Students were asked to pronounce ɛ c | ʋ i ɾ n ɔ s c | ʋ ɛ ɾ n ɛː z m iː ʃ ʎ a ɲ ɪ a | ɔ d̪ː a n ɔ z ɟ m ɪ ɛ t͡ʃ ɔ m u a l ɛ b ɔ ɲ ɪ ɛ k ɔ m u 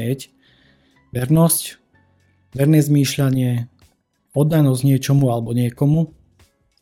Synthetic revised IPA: ɛ c | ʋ ɛ ɾ n ɔ s c | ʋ ɛ ɾ n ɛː z m iː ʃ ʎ a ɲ ɪ ɛ | ɔ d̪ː a n ɔ z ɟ ɲ ɪ ɛ t͡ʃ ɔ m u a l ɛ b ɔ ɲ ɪ ɛ k ɔ m u